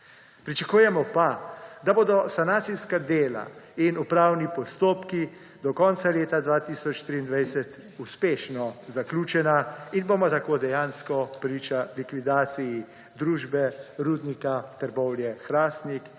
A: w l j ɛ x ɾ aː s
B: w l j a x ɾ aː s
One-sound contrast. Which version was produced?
A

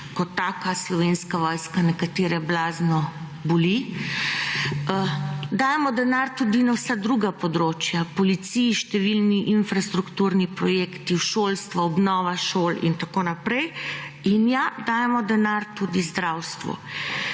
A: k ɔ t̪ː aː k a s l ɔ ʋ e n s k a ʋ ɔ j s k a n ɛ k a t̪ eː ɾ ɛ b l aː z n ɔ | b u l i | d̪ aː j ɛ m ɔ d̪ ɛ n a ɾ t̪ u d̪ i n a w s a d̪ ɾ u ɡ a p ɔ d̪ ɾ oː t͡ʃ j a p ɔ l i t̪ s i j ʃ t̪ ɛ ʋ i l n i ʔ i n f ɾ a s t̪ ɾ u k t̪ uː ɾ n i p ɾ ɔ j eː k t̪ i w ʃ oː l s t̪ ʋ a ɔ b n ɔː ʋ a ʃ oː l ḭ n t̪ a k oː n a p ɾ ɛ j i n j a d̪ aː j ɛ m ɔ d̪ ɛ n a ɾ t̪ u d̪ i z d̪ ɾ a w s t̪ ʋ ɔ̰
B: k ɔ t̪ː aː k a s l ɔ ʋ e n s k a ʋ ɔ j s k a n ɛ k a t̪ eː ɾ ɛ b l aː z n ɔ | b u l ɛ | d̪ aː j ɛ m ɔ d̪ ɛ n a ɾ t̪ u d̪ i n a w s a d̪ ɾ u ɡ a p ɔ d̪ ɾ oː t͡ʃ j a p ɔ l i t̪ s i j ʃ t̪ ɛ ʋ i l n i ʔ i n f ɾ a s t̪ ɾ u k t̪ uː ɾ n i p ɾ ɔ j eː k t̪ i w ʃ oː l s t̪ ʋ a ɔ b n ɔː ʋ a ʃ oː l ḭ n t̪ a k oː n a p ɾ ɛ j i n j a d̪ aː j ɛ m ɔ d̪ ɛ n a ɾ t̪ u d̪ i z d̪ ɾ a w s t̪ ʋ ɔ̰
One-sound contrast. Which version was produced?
A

